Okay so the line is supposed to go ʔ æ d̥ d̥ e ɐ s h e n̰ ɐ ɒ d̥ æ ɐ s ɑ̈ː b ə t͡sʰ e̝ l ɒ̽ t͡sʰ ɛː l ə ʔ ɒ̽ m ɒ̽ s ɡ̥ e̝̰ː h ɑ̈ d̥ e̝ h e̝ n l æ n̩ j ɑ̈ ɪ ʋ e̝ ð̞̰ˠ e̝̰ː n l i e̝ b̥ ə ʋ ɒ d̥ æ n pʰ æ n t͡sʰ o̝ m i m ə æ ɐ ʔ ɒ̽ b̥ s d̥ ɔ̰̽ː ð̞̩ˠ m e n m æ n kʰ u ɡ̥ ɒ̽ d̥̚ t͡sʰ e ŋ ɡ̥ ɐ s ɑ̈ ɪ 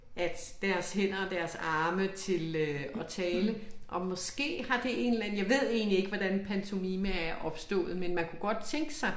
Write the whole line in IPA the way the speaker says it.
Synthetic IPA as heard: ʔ æ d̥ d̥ æ ɐ s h e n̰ ɐ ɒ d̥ æ ɐ s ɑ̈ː m ə t͡sʰ e̝ l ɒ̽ t͡sʰ ɛː l ə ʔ ɒ̽ m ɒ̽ s ɡ̥ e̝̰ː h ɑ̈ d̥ e̝ e̝ n l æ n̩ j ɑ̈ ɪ ʋ e̝ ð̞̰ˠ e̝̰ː n l i e̝ ɡ̥ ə ʋ ɒ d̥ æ n pʰ æ n t͡sʰ o̝ m i m ə æ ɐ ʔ ɒ̽ b̥ s d̥ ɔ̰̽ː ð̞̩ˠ m e n m æ n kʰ u ɡ̥ ɒ̽ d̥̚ t͡sʰ e ŋ ɡ̥ ə s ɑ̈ ɪ